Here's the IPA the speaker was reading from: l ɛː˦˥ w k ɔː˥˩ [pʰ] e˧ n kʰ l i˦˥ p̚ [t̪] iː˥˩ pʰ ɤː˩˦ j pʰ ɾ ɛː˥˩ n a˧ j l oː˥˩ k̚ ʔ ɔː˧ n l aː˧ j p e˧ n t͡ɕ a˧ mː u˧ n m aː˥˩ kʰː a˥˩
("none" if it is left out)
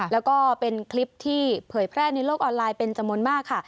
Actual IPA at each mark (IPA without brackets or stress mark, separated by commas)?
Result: p, t̪ʰ